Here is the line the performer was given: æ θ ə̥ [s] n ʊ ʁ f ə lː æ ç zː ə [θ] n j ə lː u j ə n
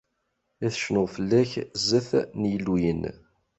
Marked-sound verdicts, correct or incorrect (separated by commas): incorrect, correct